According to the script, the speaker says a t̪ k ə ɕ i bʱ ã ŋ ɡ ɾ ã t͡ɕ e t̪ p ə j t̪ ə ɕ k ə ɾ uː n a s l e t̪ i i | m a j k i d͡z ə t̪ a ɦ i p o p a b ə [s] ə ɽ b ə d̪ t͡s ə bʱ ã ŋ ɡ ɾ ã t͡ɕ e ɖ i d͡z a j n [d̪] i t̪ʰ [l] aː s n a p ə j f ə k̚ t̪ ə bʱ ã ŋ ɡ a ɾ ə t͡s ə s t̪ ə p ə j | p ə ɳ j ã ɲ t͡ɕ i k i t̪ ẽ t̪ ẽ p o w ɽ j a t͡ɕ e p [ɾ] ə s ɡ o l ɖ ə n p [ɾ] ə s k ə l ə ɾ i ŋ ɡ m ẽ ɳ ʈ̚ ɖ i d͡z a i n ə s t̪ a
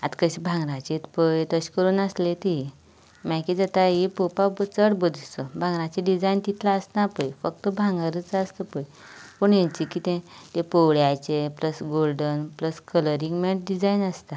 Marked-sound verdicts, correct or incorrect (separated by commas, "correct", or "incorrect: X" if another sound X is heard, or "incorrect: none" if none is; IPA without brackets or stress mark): incorrect: t͡s, incorrect: t̪, correct, incorrect: l, incorrect: l